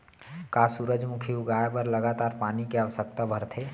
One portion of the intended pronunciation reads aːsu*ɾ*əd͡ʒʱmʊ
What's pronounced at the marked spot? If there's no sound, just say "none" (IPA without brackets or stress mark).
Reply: ɾ